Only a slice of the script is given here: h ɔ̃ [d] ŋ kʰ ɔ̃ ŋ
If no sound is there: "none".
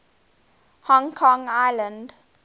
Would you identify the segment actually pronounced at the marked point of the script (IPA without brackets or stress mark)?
none